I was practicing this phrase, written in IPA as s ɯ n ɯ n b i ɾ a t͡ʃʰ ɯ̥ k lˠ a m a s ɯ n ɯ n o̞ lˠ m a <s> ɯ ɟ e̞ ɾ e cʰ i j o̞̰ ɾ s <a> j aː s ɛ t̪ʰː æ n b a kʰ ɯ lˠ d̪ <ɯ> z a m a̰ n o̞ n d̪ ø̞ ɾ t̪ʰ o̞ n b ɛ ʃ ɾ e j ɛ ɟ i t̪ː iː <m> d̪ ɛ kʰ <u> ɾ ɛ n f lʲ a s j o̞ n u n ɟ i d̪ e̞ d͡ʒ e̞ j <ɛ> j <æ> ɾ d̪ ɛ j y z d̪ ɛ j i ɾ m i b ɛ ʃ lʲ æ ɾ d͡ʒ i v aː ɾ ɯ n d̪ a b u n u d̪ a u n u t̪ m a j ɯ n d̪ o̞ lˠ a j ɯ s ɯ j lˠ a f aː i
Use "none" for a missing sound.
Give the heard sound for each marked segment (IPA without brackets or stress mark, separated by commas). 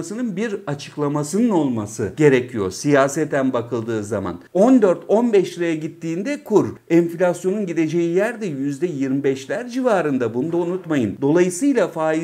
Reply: s, i, ɯː, n, u, i, æ